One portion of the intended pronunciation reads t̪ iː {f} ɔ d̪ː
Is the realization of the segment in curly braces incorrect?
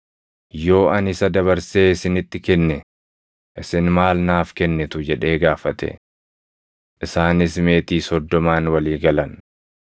yes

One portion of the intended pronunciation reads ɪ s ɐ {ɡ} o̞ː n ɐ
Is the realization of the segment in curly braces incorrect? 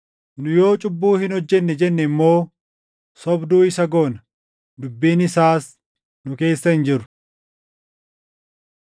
no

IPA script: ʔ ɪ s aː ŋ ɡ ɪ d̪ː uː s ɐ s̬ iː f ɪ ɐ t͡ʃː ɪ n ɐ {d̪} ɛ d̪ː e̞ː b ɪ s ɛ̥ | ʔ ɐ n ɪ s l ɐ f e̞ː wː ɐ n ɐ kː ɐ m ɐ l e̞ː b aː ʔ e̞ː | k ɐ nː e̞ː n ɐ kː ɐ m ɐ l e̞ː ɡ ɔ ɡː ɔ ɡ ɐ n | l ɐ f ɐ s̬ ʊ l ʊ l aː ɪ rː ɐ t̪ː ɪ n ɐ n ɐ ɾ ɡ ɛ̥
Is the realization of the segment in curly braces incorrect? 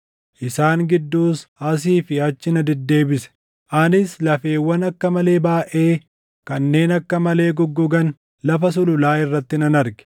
no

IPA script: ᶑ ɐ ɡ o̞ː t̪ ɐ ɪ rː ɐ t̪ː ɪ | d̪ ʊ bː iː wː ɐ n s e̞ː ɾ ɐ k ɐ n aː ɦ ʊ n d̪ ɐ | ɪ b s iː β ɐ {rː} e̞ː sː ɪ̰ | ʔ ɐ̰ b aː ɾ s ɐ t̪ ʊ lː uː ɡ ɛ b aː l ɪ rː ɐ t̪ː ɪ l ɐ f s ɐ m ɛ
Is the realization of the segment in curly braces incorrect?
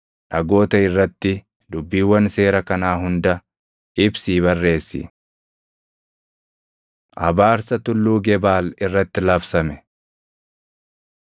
no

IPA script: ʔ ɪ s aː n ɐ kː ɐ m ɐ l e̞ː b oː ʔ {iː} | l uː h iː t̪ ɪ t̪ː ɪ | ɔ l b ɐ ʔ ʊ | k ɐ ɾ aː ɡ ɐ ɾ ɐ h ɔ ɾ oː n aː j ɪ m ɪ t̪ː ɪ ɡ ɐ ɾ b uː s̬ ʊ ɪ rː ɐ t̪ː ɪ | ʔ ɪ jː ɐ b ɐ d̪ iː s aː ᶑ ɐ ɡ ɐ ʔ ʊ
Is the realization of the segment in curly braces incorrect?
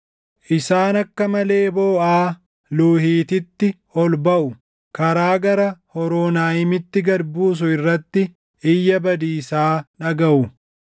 yes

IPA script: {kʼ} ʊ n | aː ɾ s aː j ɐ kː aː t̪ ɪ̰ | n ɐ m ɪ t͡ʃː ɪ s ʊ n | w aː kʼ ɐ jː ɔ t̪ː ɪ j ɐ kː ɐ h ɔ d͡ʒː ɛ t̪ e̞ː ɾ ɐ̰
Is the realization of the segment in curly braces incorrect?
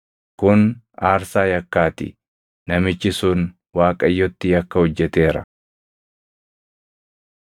yes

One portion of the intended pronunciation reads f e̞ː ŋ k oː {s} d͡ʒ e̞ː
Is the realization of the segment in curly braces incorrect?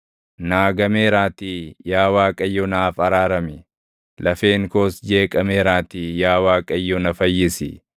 no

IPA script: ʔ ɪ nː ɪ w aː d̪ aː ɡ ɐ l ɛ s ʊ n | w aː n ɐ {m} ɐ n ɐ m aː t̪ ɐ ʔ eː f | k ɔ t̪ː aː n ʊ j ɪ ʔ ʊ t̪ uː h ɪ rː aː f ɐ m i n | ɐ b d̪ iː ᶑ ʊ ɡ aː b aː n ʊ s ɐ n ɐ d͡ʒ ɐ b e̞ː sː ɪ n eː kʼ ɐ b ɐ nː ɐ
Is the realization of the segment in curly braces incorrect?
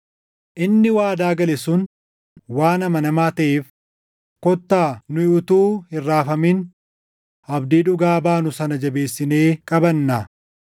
no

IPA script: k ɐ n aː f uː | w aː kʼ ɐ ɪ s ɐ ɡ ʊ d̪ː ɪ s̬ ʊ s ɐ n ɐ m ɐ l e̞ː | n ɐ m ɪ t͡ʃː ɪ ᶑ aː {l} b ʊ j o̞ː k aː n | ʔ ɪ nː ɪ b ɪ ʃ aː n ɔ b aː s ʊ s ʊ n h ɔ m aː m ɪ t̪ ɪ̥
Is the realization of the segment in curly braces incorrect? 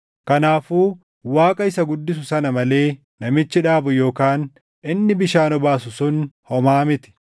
yes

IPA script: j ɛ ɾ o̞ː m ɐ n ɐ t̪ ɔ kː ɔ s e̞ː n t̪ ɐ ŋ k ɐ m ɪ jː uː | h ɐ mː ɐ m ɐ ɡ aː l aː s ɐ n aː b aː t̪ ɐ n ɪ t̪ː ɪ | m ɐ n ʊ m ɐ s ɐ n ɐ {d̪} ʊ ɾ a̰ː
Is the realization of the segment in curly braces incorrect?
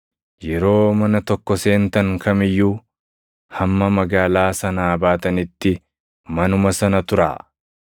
yes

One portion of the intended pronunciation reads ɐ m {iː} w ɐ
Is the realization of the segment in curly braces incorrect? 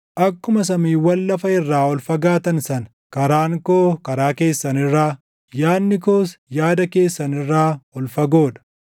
no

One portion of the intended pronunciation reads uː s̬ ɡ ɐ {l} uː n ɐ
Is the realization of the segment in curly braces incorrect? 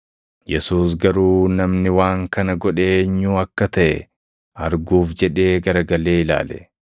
yes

